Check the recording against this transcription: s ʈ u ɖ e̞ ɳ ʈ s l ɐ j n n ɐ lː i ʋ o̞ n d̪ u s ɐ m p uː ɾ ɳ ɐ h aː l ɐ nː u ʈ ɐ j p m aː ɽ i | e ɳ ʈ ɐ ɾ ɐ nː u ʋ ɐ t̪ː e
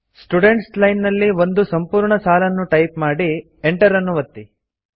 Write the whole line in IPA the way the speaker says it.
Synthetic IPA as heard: s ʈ u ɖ e̞ ɳ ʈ s l ɐ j n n ɐ lː i ʋ o̞ n d̪ u s ɐ m p uː ɾ ɳ ɐ s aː l ɐ nː u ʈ ɐ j p m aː ɽ i | e ɳ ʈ ɐ ɾ ɐ nː u ʋ ɐ t̪ː i

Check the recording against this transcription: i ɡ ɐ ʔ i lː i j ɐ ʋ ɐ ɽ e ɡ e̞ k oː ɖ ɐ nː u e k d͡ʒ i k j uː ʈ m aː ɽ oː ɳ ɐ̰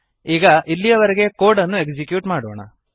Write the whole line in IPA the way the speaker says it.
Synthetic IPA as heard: iː ɡ ɐ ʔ i lː i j ɐ ʋ ɐ ɾ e ɡ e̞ k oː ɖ ɐ nː u e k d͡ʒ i k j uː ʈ m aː ɽ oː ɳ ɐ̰

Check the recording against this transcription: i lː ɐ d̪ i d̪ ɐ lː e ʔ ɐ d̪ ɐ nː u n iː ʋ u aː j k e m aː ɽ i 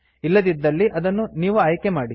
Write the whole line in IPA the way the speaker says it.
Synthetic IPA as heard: i lː ɐ d̪ i d̪ː ɐ lː i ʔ ɐ d̪ ɐ nː u n iː ʋ u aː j k e m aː ɽ i

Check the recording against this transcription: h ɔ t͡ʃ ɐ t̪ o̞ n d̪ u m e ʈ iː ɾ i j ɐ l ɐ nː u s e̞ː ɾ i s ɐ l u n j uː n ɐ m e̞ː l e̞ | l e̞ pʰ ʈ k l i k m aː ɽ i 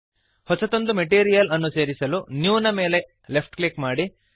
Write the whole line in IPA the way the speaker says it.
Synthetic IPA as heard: h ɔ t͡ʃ ɐ t̪ o̞ n d̪ u m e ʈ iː ɾ i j ɐ l ɐ nː u s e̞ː ɾ i s ɐ l u n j uː n ɐ m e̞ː l e̞ | l e̞ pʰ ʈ k l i k m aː ɽ i

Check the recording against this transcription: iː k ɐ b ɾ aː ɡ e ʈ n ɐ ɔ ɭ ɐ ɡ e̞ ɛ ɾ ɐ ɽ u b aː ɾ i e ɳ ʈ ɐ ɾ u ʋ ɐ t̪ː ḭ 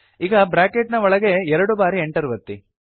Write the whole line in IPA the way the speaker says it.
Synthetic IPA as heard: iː ɡ ɐ b ɾ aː k e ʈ n ɐ ɔ ɭ ɐ ɡ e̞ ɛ ɾ ɐ ɽ u b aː ɾ i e ɳ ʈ ɐ ɾ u ʋ ɐ t̪ː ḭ

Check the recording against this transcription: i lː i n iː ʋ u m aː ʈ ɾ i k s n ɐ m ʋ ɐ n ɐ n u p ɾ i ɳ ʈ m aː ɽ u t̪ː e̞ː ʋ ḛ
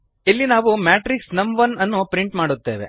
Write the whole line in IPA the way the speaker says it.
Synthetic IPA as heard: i lː i n aː ʋ u m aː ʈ ɾ i k s n ɐ m ʋ ɐ n ɐ nː u p ɾ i ɳ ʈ m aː ɽ u t̪ː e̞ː ʋ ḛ

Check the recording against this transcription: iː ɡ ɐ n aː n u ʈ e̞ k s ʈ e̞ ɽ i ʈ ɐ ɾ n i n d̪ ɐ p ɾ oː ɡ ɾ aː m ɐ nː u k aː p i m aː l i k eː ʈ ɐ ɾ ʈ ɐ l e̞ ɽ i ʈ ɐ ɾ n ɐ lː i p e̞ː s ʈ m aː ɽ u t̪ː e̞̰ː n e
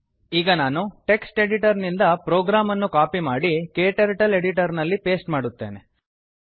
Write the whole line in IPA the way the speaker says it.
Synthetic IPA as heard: iː ɡ ɐ n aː n u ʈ e̞ k s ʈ e̞ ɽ i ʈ ɐ ɾ n i n d̪ ɐ p ɾ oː ɡ ɾ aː m ɐ nː u k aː p i m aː ɽ i k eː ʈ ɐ ɾ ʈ ɐ l e̞ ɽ i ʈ ɐ ɾ n ɐ lː i p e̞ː s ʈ m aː ɽ u t̪ː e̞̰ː n e

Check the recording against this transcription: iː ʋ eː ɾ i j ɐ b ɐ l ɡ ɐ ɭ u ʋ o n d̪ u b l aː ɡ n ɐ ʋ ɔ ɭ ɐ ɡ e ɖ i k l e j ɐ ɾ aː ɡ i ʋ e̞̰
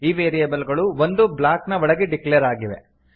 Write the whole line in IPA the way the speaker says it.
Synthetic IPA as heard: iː ʋ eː ɾ i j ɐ b ɐ l ɡ ɐ ɭ u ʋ o n d̪ u b l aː k n ɐ ʋ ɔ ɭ ɐ ɡ e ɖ i k l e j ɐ ɾ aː ɡ i ʋ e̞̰

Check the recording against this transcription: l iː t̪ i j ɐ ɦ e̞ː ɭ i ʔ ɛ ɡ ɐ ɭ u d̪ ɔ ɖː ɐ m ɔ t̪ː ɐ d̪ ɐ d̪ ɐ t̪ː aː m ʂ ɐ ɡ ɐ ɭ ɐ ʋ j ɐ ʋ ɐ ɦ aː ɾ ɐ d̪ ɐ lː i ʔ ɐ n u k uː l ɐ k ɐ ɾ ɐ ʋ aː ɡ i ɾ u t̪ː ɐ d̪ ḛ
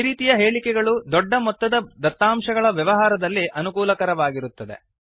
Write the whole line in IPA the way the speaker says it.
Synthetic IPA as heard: ɾ iː t̪ i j ɐ ɦ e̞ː ɭ i k ɛ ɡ ɐ ɭ u d̪ ɔ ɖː ɐ m ɔ t̪ː ɐ d̪ ɐ d̪ ɐ t̪ː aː m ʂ ɐ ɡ ɐ ɭ ɐ ʋ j ɐ ʋ ɐ ɦ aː ɾ ɐ d̪ ɐ lː i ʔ ɐ n u k uː l ɐ k ɐ ɾ ɐ ʋ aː ɡ i ɾ u t̪ː ɐ d̪ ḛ

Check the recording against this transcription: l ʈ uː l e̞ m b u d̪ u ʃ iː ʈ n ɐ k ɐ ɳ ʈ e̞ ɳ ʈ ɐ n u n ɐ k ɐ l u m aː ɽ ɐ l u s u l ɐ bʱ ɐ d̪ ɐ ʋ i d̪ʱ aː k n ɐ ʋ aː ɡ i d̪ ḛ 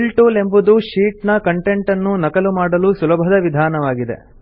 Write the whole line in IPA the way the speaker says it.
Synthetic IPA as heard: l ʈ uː l e̞ m b u d̪ u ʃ iː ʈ n ɐ k ɐ ɳ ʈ e̞ ɳ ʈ ɐ nː u n ɐ k ɐ l u m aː ɽ ɐ l u s u l ɐ bʱ ɐ d̪ ɐ ʋ i d̪ʱ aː n ɐ ʋ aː ɡ i d̪ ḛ

